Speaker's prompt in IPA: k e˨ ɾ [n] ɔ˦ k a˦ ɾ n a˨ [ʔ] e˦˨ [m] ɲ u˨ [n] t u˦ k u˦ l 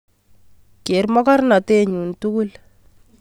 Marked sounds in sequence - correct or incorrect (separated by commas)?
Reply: incorrect, incorrect, incorrect, correct